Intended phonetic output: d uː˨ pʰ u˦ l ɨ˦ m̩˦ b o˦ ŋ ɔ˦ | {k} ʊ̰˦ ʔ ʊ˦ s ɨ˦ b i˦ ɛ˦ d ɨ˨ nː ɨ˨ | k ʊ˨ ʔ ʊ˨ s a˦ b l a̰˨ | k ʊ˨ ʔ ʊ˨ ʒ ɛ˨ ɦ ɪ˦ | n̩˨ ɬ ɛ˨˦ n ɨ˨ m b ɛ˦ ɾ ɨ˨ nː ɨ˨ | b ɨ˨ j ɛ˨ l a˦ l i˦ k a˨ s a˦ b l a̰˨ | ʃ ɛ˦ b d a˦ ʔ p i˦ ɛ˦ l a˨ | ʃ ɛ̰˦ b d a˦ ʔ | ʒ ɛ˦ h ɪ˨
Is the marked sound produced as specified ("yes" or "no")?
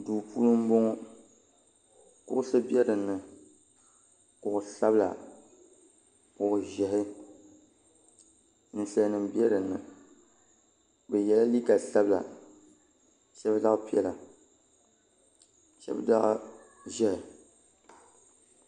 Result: yes